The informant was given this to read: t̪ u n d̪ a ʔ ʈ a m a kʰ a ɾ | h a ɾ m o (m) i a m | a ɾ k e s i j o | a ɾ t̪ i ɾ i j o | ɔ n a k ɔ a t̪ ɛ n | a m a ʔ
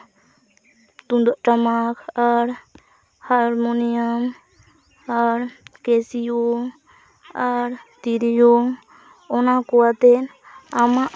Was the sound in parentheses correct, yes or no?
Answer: no